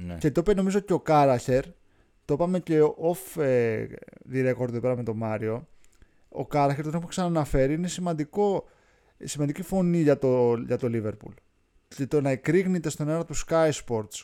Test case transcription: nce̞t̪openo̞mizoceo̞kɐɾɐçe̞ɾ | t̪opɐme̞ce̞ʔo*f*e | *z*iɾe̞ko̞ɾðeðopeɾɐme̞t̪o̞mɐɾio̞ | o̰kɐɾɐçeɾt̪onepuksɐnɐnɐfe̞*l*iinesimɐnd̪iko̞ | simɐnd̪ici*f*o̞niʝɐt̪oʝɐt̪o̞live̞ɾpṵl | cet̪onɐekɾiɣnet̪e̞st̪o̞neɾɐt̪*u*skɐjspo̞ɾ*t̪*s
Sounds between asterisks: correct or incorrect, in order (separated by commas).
correct, incorrect, incorrect, correct, correct, correct